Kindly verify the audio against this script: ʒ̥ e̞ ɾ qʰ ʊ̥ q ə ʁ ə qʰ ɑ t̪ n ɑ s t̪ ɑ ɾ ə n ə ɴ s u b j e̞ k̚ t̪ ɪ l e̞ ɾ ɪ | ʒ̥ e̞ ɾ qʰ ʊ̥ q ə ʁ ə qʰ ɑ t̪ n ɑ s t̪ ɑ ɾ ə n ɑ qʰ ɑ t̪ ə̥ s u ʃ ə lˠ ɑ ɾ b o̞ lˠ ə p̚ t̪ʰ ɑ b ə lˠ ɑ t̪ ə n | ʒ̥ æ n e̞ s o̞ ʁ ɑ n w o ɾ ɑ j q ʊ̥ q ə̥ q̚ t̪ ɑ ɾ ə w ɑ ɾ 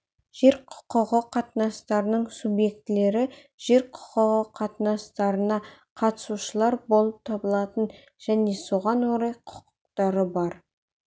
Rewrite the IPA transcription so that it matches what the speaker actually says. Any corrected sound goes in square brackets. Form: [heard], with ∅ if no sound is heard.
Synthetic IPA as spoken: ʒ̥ e̞ ɾ qʰ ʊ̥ q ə ʁ ə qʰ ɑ t̪ n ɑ s t̪ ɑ ɾ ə n ə ɴ s u b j e̞ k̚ t̪ ɪ l e̞ ɾ ɪ | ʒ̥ e̞ ɾ qʰ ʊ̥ q ə ʁ ə qʰ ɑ t̪ n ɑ s t̪ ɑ ɾ ə n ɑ qʰ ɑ t̪ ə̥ s u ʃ ə lˠ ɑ ɾ b o̞ lˠ ə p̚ t̪ʰ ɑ b ə lˠ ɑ t̪ ə n | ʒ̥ æ n e̞ s o̞ ʁ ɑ n w o ɾ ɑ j [qʰ] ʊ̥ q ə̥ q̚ t̪ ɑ ɾ ə [b] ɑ ɾ